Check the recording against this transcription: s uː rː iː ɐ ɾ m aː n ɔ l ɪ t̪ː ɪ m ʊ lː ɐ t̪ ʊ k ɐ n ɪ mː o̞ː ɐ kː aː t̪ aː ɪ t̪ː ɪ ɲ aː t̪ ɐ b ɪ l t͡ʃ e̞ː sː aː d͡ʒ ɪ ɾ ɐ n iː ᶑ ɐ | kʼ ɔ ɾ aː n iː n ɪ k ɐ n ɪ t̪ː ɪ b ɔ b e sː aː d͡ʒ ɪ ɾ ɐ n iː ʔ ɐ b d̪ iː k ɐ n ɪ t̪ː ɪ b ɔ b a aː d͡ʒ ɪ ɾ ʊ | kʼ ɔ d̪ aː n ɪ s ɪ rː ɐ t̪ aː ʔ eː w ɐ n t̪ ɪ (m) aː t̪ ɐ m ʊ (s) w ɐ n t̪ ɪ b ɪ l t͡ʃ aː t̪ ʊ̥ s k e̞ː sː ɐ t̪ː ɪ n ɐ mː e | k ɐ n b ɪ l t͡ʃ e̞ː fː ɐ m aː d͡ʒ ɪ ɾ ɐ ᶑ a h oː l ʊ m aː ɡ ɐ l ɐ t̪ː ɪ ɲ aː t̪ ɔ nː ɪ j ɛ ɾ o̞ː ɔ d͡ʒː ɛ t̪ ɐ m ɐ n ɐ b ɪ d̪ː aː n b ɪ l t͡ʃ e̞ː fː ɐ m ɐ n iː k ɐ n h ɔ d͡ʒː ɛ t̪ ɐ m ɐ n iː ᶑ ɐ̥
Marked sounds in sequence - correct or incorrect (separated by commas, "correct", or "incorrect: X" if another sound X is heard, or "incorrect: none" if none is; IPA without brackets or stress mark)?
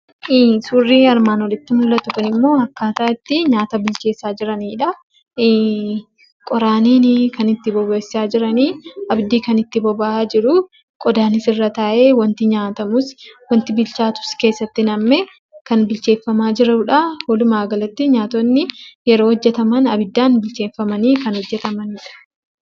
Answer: incorrect: ɲ, correct